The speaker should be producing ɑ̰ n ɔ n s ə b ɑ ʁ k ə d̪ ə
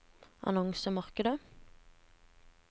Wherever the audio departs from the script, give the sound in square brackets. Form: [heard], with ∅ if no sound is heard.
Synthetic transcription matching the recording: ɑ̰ n ɔ [ŋ] s ə [m] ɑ ʁ k ə d̪ ə